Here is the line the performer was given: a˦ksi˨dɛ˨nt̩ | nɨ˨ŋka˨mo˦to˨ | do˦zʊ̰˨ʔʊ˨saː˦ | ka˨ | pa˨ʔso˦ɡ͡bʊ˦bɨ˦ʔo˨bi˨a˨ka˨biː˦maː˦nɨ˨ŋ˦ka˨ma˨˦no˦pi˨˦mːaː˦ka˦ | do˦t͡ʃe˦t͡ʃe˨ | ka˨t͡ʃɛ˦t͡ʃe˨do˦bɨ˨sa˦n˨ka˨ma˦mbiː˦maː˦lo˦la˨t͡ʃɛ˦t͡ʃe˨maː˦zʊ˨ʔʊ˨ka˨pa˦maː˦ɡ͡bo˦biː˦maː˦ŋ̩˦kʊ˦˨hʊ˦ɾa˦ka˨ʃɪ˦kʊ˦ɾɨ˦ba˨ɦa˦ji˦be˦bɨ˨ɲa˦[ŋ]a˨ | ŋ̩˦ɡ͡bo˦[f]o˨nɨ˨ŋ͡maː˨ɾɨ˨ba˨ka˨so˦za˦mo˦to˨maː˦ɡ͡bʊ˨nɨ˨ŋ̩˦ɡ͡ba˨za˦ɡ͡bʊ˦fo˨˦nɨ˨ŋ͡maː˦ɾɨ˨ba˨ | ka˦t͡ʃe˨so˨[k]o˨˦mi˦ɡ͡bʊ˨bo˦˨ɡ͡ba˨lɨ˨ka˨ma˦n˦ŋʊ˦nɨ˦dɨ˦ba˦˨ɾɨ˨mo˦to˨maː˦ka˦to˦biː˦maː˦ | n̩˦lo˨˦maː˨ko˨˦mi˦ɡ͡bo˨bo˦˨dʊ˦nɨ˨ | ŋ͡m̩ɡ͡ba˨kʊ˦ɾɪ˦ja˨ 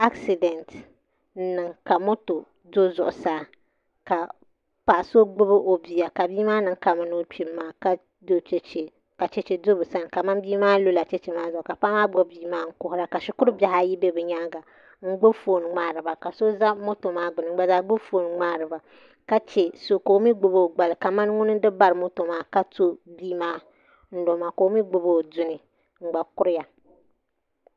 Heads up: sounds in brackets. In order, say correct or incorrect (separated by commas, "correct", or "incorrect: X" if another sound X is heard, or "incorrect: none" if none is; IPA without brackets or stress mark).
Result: incorrect: ɡ, correct, correct